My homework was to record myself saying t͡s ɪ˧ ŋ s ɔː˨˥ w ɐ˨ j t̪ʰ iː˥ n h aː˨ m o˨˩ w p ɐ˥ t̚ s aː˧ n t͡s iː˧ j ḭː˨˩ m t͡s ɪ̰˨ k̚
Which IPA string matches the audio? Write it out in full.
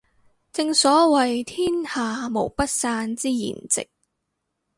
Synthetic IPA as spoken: t͡s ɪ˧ ŋ s ɔː˨˥ w ɐ˨ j t̪ʰ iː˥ n h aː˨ m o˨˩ w p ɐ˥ t̚ s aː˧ n t͡s iː˥ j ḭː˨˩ n t͡s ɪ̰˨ k̚